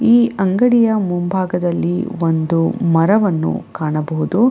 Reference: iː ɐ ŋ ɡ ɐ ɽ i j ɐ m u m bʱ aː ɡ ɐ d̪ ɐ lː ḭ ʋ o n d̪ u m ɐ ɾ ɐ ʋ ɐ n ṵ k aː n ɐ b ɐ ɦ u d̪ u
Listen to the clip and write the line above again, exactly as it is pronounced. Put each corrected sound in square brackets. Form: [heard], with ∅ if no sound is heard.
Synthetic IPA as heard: iː ɐ ŋ ɡ ɐ ɽ i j ɐ m u m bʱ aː ɡ ɐ d̪ ɐ lː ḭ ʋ o n d̪ u m ɐ ɾ ɐ ʋ ɐ [nː] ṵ k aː [ɳ] ɐ b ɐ ɦ u d̪ u

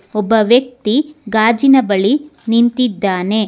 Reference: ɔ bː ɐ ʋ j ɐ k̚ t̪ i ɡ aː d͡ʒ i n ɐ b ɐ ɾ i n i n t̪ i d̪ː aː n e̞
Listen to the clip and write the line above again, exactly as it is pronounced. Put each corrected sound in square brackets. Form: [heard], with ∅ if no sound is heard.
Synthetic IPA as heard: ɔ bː ɐ ʋ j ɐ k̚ t̪ i ɡ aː d͡ʒ i n ɐ b ɐ [ɭ] i n i n t̪ i d̪ː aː n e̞

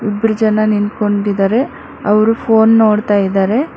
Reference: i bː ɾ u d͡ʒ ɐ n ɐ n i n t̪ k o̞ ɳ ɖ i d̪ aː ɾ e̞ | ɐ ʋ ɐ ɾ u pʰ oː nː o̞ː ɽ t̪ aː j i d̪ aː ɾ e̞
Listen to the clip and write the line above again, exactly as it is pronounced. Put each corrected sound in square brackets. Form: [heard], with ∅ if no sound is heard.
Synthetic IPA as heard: i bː ɾ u d͡ʒ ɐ n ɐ n i n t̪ k o̞ ɳ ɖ i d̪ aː ɾ e̞ | ɐ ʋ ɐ ɾ u pʰ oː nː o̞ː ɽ t̪ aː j i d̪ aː ɾ e̞

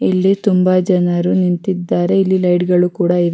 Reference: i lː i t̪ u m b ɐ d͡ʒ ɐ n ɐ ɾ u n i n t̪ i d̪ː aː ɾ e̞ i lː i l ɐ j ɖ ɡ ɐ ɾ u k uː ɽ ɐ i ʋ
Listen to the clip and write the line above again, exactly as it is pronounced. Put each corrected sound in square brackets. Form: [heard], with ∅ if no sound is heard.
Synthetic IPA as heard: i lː i t̪ u m b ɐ d͡ʒ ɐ n ɐ ɾ u n i n t̪ i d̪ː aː ɾ e̞ i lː i l ɐ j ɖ ɡ ɐ [ɭ] u k uː ɽ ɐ i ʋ

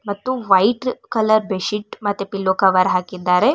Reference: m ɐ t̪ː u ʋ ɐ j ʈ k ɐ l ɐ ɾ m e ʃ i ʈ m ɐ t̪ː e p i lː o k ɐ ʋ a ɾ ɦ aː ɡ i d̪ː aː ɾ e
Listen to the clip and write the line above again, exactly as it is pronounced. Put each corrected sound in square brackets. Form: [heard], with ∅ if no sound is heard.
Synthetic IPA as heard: m ɐ t̪ː u ʋ ɐ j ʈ k ɐ l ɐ ɾ [b] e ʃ i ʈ m ɐ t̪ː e p i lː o k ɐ ʋ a ɾ ɦ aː [k] i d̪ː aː ɾ e

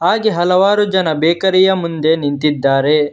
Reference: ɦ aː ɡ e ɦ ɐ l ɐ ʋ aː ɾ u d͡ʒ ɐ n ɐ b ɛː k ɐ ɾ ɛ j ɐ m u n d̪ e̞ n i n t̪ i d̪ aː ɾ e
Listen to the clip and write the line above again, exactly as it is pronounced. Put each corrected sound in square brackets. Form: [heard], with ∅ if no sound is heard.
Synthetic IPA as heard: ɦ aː ɡ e ɦ ɐ l ɐ ʋ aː ɾ u d͡ʒ ɐ n ɐ b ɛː k ɐ ɾ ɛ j ɐ m u n d̪ e̞ n i n t̪ i [d̪ː] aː ɾ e

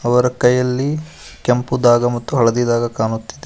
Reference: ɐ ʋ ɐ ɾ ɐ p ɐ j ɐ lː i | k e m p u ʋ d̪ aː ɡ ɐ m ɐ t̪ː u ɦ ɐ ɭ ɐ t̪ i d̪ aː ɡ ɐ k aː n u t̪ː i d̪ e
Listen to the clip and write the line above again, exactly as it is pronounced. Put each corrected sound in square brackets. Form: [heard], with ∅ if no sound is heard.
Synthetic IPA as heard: ɐ ʋ ɐ ɾ ɐ [k] ɐ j ɐ lː i | k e m p u [∅] d̪ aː ɡ ɐ m ɐ t̪ː u ɦ ɐ ɭ ɐ [d̪] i d̪ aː ɡ ɐ k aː n u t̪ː i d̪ e

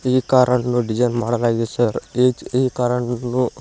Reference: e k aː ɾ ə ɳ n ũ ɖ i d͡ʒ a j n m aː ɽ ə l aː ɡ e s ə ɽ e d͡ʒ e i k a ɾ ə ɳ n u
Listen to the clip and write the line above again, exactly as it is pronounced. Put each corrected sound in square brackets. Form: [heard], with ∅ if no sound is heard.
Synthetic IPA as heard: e k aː ɾ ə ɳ n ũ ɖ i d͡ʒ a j n m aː ɽ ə l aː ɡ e s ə [ɾ] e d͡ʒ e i k a ɾ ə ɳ n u

